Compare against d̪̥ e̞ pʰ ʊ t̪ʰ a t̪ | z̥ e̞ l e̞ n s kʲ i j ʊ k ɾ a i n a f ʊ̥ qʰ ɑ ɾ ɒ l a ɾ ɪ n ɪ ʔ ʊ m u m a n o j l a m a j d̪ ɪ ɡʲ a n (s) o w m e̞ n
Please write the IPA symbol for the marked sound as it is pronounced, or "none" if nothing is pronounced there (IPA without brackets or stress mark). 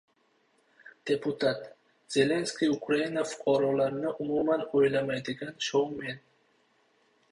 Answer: ʃ